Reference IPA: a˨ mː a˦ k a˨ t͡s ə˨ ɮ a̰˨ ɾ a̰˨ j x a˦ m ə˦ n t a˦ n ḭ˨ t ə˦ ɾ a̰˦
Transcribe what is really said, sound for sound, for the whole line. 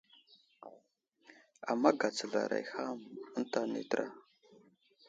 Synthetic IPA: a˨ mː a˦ ɡ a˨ t͡s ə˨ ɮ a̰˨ ɾ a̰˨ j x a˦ m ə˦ n t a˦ n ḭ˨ t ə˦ ɾ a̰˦